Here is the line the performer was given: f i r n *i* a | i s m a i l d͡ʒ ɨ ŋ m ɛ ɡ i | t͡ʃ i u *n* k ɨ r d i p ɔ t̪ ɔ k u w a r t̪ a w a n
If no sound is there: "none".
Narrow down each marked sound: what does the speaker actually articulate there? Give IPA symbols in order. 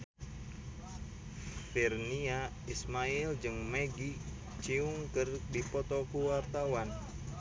i, ŋ

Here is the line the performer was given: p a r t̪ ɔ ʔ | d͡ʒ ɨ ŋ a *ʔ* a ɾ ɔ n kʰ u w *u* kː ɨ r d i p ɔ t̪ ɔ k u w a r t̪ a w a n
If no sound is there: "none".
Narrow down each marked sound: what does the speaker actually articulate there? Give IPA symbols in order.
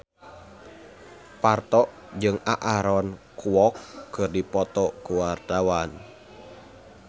ʔ, ɔ

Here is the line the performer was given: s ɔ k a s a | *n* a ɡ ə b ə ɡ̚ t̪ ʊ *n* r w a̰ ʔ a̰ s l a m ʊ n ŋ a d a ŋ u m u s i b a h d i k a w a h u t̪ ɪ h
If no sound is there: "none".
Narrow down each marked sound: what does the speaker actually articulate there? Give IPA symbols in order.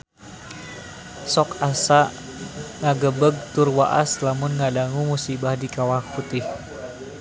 ŋ, none

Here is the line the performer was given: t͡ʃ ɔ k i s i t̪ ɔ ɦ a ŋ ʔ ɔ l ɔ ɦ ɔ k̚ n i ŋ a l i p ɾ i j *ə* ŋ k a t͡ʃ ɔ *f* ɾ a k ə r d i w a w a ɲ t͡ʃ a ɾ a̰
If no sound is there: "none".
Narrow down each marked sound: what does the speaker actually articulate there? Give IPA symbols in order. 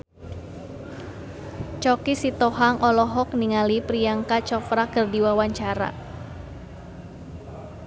a, f

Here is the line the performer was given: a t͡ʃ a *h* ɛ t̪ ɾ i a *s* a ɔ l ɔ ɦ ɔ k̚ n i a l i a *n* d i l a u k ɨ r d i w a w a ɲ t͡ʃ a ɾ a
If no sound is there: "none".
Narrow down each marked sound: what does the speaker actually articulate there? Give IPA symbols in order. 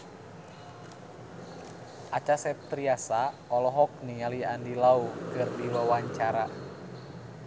s, s, n

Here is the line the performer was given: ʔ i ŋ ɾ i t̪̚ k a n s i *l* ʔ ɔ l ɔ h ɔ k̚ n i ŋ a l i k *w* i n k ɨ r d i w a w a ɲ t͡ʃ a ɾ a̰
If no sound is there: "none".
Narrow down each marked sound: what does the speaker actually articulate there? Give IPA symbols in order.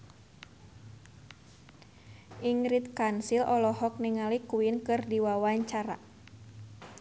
l, u

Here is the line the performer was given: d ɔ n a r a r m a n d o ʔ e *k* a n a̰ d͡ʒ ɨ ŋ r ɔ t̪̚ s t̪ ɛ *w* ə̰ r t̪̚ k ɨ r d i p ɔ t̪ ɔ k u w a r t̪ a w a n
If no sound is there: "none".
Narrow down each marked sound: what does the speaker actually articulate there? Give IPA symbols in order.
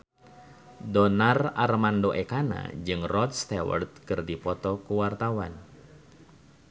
k, w

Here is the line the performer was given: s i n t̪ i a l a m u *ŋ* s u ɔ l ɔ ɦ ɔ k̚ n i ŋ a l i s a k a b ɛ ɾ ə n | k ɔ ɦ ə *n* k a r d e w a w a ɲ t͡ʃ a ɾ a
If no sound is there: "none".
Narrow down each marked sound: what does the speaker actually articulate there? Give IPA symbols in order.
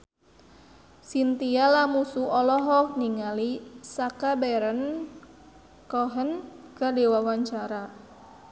none, n

